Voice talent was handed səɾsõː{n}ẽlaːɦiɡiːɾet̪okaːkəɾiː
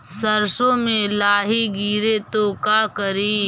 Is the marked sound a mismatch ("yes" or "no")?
yes